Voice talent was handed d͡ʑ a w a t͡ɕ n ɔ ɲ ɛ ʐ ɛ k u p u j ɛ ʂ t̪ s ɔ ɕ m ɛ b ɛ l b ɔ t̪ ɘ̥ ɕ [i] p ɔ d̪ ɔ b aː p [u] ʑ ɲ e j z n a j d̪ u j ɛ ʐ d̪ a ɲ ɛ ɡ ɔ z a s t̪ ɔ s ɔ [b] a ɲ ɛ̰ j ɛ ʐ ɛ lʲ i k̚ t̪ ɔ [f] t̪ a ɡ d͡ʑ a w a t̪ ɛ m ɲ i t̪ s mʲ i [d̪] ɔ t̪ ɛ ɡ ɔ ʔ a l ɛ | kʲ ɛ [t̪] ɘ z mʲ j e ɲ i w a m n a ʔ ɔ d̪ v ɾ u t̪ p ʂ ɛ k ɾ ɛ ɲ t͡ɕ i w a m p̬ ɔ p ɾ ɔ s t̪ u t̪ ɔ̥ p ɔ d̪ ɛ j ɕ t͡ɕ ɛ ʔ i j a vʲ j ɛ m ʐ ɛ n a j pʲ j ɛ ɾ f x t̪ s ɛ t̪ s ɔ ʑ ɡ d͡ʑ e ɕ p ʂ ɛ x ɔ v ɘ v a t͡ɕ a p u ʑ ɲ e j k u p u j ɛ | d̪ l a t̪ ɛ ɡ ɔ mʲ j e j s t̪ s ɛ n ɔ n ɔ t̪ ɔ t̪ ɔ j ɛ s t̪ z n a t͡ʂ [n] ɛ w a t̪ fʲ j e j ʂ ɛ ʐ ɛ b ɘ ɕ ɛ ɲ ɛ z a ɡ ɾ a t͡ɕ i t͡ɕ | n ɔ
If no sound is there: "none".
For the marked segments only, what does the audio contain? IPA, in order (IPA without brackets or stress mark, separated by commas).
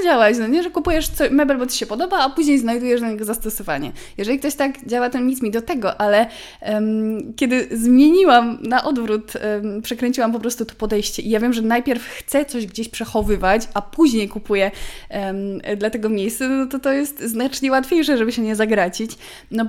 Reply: ɛ, u, v, ɕ, d̪, d̪, ɲ